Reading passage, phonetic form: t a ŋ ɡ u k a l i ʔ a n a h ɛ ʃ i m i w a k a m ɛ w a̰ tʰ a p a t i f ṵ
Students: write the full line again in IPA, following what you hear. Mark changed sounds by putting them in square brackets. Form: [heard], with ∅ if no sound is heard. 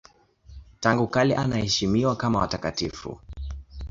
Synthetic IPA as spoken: t a ŋ ɡ u k a l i ʔ a n a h ɛ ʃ i m i w a k a m [a] w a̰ [t] a [k] a t i f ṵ